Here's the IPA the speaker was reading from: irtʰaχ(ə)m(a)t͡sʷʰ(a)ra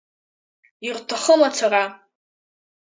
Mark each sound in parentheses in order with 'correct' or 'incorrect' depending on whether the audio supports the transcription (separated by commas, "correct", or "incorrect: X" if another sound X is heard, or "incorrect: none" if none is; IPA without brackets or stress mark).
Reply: correct, correct, correct